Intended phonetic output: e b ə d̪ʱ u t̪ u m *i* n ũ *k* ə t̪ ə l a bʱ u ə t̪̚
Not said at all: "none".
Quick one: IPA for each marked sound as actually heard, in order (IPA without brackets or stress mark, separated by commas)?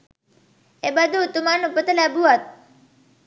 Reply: a, p